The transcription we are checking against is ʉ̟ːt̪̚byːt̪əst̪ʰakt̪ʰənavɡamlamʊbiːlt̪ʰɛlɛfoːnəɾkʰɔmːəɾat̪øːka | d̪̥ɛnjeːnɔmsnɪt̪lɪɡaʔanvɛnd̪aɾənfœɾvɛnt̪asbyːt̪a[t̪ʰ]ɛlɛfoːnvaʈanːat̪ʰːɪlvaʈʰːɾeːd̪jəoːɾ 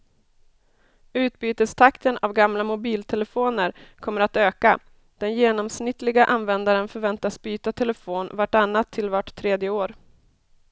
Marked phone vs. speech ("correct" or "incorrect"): correct